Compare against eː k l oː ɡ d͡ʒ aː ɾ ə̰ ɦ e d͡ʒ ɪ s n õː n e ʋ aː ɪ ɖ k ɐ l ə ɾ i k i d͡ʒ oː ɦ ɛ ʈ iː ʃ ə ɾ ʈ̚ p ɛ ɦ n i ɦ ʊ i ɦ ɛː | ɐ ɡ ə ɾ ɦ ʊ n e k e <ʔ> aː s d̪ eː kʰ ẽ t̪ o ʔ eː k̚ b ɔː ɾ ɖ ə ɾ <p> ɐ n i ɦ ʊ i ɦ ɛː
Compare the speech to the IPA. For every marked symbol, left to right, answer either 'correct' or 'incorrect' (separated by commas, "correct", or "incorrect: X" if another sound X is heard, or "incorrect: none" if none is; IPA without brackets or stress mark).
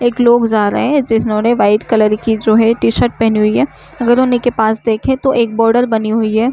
incorrect: p, incorrect: b